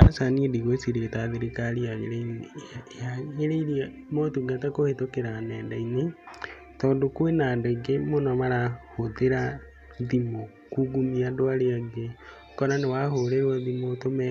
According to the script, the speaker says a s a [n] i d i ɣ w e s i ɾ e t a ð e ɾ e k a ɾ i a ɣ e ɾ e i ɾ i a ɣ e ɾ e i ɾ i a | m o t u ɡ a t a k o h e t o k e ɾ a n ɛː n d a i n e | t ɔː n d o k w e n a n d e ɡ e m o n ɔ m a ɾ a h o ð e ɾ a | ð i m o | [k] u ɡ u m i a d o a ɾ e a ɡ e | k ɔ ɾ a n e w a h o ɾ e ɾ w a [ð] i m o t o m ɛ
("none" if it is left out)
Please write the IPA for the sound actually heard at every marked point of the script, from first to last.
n, k, ð

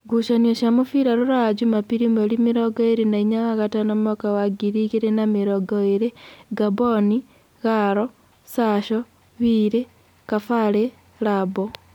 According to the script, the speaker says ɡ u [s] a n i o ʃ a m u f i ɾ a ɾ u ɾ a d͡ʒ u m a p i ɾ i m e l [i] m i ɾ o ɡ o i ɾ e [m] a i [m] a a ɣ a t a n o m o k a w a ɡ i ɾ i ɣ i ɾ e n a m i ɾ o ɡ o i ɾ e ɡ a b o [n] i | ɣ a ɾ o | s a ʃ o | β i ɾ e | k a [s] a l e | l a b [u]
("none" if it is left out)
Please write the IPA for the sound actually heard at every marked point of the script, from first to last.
ʃ, i, n, ɲ, n, f, o

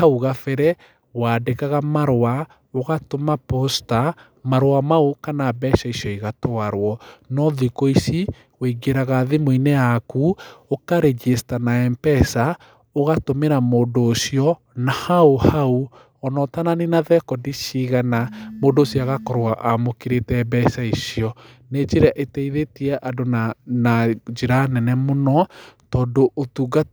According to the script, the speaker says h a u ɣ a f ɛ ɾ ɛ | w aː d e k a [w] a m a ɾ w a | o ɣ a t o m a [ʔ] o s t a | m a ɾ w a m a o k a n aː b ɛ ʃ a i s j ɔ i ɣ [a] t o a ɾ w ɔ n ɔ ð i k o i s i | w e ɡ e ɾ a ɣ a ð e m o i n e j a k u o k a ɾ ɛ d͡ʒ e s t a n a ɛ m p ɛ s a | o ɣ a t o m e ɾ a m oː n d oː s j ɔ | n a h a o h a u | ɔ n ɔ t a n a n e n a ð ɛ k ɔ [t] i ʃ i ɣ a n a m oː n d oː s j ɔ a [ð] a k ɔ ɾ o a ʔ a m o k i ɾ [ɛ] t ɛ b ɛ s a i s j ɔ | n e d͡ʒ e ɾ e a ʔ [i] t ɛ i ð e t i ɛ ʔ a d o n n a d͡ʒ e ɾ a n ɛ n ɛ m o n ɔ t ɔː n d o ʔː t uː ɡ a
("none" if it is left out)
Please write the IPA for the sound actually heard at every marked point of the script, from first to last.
ɣ, p, a, d, ɣ, e, e

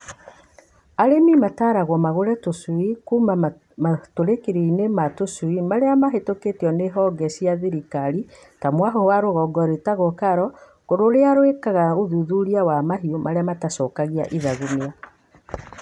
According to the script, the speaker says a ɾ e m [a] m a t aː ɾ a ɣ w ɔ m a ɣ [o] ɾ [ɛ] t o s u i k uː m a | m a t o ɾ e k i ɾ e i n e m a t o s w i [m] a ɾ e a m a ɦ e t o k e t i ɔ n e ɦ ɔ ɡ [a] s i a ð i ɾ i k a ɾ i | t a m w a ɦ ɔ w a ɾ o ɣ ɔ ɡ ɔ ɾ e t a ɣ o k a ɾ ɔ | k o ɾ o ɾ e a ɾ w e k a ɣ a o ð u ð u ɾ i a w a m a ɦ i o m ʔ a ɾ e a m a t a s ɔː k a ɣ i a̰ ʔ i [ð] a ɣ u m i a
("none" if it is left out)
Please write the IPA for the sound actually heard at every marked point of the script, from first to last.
i, o, ɛ, m, ɛ, ð

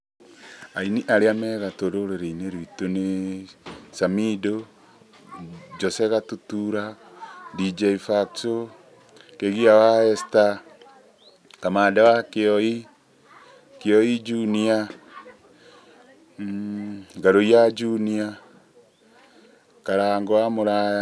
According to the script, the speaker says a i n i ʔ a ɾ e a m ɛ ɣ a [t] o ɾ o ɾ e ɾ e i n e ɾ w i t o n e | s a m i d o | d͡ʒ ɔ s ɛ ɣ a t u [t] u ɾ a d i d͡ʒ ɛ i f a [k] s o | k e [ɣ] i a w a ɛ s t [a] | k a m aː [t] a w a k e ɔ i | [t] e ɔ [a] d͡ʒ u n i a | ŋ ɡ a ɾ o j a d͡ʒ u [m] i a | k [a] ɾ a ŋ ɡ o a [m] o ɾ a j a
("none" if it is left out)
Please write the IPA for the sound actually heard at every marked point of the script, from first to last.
t, t, k, ɣ, a, d, k, i, n, a, m

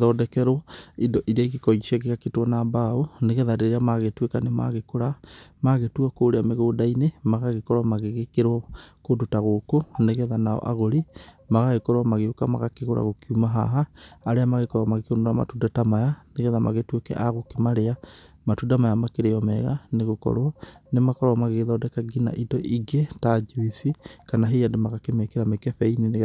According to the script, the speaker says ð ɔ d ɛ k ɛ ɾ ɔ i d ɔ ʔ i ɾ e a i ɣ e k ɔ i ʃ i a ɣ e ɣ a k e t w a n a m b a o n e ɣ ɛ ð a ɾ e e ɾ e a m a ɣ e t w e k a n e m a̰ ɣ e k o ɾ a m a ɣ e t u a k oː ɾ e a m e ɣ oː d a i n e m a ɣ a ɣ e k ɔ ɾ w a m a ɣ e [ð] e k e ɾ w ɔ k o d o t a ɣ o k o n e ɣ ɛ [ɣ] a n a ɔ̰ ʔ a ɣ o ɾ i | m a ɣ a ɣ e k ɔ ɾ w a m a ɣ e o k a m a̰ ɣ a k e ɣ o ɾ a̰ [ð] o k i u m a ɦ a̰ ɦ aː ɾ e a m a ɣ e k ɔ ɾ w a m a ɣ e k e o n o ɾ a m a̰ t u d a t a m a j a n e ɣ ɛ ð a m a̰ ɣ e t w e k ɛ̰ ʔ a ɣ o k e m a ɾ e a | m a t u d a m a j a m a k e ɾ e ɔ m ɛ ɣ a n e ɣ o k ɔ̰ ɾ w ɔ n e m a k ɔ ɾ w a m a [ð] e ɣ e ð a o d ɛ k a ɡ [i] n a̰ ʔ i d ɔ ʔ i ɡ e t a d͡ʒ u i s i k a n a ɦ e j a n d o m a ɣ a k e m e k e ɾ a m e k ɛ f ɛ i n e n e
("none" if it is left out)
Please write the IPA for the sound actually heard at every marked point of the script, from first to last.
ɣ, ð, ɣ, ɣ, i

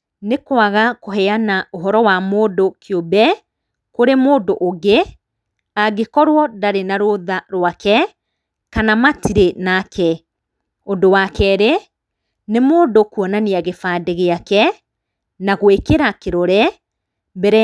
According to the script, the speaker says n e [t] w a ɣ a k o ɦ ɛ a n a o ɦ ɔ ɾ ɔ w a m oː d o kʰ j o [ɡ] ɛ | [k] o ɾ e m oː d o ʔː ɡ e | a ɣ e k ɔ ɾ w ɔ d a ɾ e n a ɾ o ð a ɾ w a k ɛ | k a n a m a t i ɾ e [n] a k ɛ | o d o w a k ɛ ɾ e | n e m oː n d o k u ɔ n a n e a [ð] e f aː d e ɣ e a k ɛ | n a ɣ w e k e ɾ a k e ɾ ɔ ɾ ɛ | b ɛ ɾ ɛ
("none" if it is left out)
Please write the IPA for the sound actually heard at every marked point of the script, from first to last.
k, b, k, n, ɣ

